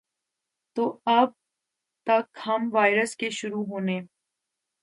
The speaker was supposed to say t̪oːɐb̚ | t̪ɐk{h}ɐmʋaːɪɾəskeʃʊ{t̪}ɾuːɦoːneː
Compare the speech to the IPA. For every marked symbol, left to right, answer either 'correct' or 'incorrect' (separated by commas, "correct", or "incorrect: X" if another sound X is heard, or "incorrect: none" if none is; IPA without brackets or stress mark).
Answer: correct, incorrect: none